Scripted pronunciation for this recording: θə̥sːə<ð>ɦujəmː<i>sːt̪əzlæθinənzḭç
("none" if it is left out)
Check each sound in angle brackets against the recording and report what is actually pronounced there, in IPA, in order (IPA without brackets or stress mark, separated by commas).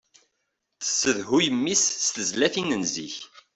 ð, i